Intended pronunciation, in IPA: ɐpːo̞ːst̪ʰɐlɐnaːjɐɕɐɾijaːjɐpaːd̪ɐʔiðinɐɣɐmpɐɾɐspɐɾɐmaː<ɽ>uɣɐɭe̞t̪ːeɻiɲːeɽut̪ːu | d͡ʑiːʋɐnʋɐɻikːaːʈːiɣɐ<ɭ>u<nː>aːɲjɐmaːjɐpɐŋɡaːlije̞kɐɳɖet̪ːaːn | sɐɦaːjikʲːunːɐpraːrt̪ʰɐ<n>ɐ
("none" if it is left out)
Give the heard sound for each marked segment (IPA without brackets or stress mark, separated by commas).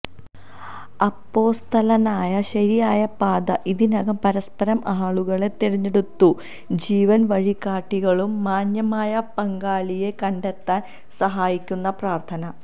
ɭ, ɭ, mː, n